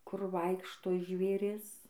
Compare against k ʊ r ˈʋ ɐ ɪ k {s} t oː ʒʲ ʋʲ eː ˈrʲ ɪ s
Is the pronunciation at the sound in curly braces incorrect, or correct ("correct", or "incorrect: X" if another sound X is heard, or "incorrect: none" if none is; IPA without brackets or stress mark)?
incorrect: ʃ